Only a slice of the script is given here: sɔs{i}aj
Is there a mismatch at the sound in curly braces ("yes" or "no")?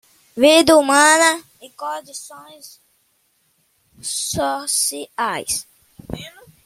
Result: no